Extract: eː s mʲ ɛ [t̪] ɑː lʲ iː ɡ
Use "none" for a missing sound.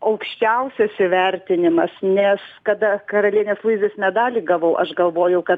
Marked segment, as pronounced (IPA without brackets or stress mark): d̪